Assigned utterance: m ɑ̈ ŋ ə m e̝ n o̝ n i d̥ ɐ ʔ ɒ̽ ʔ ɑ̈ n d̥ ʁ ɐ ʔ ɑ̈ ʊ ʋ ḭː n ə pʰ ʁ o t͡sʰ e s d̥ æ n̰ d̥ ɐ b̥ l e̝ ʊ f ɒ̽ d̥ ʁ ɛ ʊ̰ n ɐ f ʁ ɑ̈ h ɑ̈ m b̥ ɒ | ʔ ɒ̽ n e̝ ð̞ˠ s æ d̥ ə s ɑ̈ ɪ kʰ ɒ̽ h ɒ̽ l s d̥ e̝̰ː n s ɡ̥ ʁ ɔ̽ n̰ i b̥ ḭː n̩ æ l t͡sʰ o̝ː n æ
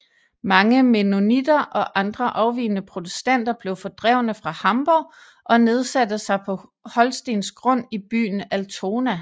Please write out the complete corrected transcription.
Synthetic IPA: m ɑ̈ ŋ ə m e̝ n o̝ n i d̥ ɐ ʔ ɒ̽ ʔ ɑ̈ n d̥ ʁ ɐ ʔ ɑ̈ ʊ ʋ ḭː n ə pʰ ʁ o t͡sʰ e s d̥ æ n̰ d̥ ɐ b̥ l e̝ ʊ f ɒ̽ d̥ ʁ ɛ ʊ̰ n ə f ʁ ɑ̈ h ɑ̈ m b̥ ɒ | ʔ ɒ̽ n e̝ ð̞ˠ s æ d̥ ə s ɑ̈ ɪ pʰ ɒ̽ h ɒ̽ l s d̥ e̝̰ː n s ɡ̥ ʁ ɔ̽ n̰ i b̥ y̰ː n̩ æ l t͡sʰ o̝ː n æ